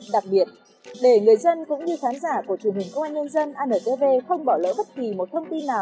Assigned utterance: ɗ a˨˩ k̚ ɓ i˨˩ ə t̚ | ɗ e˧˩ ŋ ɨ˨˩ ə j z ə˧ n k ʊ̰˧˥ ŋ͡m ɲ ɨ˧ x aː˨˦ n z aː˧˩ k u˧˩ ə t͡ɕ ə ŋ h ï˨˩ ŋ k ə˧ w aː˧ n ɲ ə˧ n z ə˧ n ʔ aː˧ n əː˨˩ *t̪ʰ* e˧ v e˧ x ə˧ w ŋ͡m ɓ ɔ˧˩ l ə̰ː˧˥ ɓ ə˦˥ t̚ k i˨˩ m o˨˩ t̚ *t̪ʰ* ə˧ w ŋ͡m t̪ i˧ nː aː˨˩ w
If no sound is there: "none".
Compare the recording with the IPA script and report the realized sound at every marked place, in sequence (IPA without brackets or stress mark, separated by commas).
t̪, t̪ʰ